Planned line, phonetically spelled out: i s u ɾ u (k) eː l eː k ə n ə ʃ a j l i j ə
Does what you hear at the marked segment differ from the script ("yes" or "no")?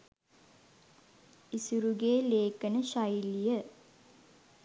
yes